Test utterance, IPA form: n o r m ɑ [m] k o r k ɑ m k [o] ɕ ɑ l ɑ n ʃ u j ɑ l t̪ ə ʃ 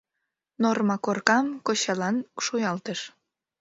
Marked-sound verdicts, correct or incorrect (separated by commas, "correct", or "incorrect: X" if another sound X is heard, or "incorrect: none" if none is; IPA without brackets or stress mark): incorrect: none, correct